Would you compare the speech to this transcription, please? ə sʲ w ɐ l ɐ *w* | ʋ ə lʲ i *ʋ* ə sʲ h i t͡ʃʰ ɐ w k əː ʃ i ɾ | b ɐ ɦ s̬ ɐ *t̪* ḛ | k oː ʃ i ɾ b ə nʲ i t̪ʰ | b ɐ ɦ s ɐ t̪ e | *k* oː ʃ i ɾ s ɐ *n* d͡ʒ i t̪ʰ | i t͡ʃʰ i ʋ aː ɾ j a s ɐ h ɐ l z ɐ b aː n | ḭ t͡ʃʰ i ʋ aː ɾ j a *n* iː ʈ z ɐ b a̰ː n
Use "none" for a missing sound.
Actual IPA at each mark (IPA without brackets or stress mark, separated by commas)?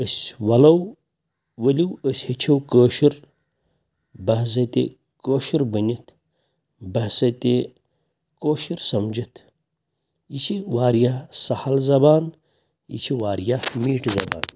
w, w, t̪, k, m, m